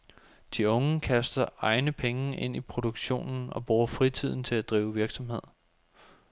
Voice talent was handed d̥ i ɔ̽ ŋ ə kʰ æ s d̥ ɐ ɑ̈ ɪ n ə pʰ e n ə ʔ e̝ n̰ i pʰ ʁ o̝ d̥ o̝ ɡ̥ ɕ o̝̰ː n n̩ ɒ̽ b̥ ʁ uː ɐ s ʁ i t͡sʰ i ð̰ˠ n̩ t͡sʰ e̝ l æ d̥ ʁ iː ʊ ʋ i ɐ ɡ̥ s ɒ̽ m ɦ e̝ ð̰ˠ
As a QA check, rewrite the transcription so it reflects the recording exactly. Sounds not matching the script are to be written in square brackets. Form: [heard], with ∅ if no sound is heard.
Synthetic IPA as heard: d̥ i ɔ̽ ŋ ə kʰ æ s d̥ ɐ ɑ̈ ɪ n ə pʰ e [ŋ] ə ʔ e̝ n̰ i pʰ ʁ o̝ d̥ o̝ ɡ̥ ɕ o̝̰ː n n̩ ɒ̽ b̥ ʁ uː ɐ [f] ʁ i t͡sʰ i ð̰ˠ n̩ t͡sʰ e̝ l æ d̥ ʁ iː ʊ ʋ i ɐ ɡ̥ s ɒ̽ m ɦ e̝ ð̰ˠ

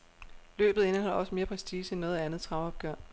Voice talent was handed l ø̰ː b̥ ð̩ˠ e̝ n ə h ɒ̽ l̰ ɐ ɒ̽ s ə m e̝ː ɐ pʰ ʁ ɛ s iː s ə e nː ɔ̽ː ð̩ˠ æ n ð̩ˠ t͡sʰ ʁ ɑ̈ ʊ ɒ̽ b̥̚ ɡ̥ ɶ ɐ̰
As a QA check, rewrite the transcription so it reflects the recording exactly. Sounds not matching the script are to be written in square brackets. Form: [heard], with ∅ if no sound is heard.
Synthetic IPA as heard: l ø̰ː b̥ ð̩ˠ e̝ n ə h ɒ̽ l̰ ɐ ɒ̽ s ə m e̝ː ɐ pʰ ʁ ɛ s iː s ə e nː ɔ̽ː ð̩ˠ æ n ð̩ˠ t͡sʰ ʁ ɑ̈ ʊ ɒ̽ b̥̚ ɡ̥ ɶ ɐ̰

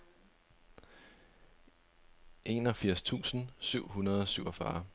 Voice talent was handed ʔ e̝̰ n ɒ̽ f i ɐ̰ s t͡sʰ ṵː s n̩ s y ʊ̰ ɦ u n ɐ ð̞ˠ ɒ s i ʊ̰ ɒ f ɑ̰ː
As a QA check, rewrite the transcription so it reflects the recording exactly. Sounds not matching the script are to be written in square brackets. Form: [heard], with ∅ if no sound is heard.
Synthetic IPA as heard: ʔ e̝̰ n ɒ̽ f i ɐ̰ s t͡sʰ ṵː s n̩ s y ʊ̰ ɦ u n ɐ ð̞ˠ ɒ s [y] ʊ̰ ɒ f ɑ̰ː

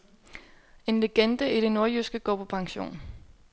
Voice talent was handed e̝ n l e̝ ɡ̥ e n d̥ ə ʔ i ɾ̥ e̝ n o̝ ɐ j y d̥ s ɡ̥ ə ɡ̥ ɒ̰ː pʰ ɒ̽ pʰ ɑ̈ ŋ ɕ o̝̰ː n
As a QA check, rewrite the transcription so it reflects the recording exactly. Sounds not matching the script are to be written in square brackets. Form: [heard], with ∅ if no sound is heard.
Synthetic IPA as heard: e̝ n l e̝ ɡ̥ e n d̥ ə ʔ i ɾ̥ e̝ n o̝ ɐ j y [∅] s ɡ̥ ə ɡ̥ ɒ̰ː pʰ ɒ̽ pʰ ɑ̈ ŋ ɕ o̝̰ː n

